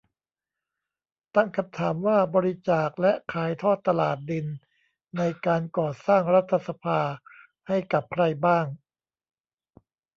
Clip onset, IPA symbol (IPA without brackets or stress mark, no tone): t̪